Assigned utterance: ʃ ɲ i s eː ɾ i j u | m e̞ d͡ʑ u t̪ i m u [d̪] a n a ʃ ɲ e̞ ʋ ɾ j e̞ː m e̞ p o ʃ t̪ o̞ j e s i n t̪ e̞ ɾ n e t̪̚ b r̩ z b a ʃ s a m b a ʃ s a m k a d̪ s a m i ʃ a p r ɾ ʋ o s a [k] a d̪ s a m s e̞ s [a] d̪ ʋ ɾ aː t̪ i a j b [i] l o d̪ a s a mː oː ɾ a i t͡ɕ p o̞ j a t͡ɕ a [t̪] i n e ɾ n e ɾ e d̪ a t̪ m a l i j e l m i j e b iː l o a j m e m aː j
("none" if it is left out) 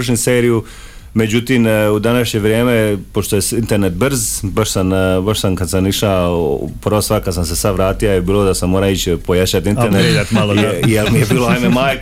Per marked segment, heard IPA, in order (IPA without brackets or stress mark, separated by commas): d̪, k, a, iː, t̪